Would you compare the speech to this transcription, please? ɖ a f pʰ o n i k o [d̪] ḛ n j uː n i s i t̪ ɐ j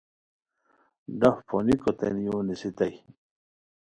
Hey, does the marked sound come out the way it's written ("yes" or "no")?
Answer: no